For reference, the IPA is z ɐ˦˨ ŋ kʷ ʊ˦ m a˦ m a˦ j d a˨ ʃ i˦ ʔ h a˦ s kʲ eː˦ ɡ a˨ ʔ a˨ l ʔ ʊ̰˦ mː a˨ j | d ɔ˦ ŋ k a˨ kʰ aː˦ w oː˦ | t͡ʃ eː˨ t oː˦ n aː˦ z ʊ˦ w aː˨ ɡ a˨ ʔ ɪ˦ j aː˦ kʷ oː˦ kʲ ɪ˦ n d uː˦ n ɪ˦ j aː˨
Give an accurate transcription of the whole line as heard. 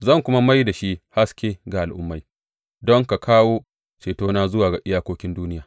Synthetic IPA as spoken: z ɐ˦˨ ŋ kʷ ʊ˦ m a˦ m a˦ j d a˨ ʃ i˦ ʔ h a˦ s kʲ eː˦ ɡ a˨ ʔ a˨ l ʔ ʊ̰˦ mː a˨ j | d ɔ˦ ŋ k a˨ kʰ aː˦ w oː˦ | t͡ʃ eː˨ t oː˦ n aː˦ z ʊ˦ w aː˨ ɡ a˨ ʔ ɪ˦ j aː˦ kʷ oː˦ kʲ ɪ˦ n d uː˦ n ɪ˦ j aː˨